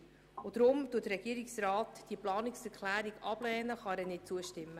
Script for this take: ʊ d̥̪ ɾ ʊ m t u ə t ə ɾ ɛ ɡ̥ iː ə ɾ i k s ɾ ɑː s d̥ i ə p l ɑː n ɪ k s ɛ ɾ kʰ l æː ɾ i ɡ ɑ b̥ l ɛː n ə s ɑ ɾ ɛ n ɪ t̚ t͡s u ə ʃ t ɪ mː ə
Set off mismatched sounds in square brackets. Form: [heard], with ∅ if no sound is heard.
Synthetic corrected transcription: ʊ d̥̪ ɾ ʊ m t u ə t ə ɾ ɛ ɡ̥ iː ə ɾ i k s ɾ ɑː [t] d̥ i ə p l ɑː n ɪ k s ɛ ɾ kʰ l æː ɾ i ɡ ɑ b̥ l ɛː n ə [χ] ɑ ɾ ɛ n ɪ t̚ t͡s u ə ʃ t ɪ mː ə